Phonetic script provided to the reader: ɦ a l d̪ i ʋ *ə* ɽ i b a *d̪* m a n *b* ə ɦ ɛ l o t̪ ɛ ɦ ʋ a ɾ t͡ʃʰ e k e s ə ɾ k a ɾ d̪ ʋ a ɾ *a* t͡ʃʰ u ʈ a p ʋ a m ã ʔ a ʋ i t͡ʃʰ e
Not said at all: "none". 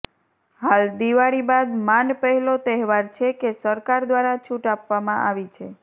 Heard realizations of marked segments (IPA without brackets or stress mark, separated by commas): a, d̪, p, a